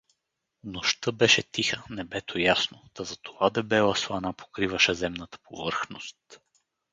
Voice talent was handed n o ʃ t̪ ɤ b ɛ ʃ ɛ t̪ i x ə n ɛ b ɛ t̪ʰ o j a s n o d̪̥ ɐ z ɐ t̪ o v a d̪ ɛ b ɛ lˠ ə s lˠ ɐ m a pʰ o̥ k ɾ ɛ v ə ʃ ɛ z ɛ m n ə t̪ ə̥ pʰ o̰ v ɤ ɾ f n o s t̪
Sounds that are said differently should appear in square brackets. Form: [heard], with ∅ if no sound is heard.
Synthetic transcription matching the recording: n o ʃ t̪ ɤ b ɛ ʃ ɛ t̪ i x ə n ɛ b ɛ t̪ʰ o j a s n o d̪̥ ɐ z ɐ t̪ o v a d̪ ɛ b ɛ lˠ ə s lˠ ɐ [n] a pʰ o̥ k ɾ [i] v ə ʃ ɛ z ɛ m n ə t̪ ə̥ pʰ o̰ v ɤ ɾ [x] n o s t̪